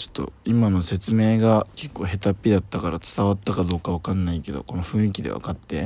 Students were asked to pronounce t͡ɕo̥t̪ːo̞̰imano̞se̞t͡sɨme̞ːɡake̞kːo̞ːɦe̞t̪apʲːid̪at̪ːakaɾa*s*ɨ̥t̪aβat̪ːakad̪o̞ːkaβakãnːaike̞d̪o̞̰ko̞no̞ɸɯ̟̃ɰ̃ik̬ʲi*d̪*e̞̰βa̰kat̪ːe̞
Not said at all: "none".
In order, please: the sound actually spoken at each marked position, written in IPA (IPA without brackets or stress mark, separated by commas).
t͡s, d̪